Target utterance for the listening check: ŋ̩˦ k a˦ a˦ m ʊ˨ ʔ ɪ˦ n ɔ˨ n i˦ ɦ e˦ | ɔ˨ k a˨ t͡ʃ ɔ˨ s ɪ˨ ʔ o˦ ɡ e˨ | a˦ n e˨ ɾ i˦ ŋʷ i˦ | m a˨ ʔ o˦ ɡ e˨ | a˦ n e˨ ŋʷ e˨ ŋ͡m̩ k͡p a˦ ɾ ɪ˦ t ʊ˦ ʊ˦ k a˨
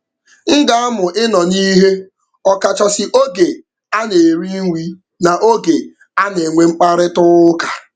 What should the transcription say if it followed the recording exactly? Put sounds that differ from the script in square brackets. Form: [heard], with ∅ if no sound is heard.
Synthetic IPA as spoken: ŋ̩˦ [ɡ] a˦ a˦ m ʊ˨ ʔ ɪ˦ n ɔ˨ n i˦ ɦ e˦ | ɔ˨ k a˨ t͡ʃ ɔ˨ s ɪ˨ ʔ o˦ ɡ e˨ | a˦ n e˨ ɾ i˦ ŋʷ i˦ | [n] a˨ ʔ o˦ ɡ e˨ | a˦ n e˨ ŋʷ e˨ ŋ͡m̩ k͡p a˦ ɾ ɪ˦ t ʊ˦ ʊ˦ k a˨